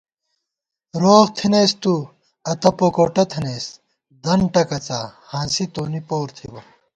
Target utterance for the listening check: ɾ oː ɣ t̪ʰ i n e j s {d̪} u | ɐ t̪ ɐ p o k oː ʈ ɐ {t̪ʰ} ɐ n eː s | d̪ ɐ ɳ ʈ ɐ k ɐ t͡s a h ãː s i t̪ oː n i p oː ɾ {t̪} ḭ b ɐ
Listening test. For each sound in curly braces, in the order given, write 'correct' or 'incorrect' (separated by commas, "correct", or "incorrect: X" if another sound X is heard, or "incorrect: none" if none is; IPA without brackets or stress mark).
incorrect: t̪, correct, incorrect: t̪ʰ